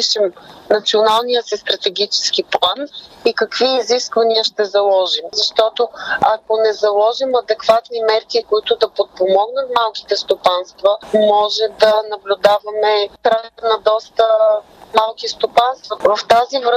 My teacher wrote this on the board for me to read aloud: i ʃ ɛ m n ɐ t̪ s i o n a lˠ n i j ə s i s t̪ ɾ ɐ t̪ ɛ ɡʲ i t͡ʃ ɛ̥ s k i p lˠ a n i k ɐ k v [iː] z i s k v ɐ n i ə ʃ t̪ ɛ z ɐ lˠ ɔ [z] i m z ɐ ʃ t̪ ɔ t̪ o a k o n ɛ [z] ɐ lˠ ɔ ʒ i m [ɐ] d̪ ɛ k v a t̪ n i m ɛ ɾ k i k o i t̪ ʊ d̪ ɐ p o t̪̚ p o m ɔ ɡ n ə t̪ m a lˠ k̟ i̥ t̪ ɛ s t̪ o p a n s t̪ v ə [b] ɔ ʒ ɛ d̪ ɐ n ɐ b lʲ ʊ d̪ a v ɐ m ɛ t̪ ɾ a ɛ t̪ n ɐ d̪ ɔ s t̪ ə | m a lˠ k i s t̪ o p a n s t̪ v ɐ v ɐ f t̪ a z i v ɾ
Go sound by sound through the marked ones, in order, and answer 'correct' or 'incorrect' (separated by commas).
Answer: correct, incorrect, correct, correct, incorrect